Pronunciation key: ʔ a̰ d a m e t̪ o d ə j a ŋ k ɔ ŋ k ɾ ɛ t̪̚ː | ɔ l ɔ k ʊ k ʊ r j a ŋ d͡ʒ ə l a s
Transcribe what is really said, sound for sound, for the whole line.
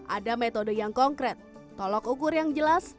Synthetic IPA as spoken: ʔ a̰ d a m e t̪ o d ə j a ŋ k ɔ ŋ k ɾ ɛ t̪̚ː | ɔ l ɔ k u k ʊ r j a ŋ d͡ʒ ə l a s